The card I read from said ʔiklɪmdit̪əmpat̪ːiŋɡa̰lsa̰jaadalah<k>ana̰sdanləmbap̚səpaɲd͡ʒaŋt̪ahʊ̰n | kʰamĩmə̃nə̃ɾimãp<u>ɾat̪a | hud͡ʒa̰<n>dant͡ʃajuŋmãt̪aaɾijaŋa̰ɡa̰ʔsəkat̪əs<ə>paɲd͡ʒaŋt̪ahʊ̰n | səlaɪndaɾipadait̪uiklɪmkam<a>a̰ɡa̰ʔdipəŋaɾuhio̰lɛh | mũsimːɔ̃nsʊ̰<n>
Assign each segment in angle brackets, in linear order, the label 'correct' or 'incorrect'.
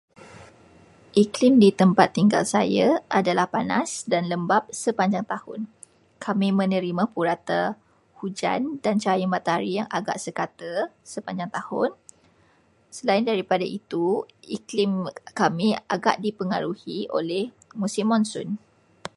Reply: incorrect: p, correct, correct, correct, incorrect: i, correct

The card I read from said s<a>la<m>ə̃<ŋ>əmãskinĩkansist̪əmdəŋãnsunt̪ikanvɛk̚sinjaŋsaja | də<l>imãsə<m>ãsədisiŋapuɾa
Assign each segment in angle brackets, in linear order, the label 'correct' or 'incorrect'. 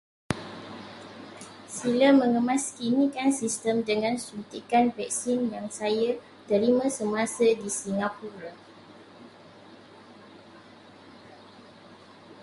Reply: incorrect: i, correct, correct, incorrect: ɾ, correct

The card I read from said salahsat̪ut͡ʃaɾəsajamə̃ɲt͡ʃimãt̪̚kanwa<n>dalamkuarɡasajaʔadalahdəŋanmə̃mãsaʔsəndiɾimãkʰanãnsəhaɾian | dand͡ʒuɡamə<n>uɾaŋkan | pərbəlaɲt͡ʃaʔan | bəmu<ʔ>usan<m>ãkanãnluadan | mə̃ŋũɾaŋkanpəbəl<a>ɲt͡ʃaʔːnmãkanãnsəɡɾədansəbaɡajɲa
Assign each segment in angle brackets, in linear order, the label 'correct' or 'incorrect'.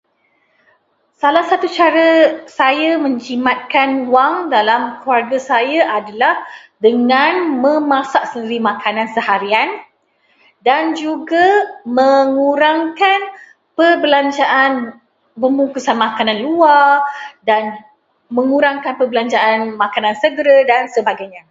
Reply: incorrect: ŋ, incorrect: ŋ, incorrect: k, correct, correct

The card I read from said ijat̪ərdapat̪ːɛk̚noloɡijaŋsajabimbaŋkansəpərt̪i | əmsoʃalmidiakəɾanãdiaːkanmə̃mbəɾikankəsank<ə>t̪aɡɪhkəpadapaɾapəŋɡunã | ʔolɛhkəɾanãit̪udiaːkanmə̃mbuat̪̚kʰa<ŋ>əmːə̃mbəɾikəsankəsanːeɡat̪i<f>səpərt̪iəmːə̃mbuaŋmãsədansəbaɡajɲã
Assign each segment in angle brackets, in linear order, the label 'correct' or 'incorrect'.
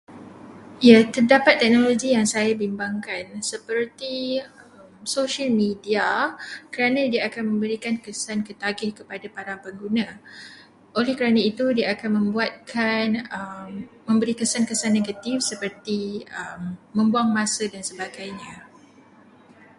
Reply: correct, incorrect: n, correct

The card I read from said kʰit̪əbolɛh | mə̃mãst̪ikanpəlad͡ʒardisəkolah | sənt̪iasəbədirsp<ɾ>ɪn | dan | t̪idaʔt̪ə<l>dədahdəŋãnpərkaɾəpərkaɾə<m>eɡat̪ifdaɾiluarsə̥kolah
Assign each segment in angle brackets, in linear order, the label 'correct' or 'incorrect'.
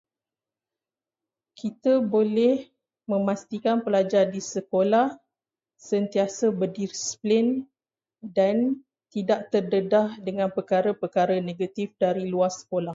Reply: incorrect: l, incorrect: r, incorrect: n

